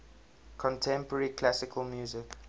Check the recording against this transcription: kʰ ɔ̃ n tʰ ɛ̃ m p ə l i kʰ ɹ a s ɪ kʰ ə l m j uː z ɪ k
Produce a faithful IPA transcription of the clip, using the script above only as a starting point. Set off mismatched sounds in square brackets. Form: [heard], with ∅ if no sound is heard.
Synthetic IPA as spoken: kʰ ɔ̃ n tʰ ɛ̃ m p ə [ɹ] i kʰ [l] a s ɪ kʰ ə l m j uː z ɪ k